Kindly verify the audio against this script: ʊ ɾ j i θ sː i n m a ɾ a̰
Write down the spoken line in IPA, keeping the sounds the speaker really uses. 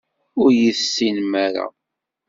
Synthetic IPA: ʊ ɾ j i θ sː i n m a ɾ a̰